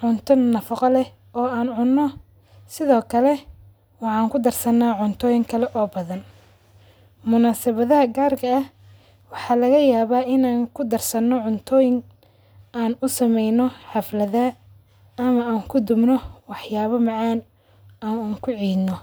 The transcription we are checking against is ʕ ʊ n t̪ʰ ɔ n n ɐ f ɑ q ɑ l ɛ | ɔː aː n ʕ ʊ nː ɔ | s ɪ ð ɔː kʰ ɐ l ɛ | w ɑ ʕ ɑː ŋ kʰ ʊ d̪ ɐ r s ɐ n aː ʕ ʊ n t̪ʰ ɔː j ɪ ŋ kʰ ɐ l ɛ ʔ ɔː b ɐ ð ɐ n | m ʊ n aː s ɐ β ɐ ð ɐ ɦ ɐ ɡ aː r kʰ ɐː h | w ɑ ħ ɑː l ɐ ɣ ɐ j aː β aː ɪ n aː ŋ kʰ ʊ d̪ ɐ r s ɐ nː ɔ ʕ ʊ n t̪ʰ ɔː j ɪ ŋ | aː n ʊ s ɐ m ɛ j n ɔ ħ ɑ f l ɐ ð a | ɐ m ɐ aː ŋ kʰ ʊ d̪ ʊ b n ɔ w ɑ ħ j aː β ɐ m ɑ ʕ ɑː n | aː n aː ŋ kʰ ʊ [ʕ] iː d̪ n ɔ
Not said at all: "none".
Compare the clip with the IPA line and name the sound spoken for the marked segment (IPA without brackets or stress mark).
ʕ